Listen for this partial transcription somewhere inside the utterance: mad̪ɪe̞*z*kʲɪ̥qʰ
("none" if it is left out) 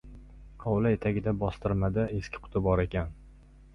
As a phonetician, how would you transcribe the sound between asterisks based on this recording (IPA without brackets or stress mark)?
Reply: s